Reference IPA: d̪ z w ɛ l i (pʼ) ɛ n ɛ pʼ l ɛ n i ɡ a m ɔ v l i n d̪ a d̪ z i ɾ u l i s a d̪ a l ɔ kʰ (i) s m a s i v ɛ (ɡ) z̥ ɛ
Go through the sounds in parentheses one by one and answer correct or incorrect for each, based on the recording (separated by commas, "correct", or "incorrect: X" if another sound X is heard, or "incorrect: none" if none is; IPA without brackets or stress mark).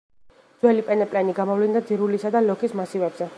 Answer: correct, correct, incorrect: b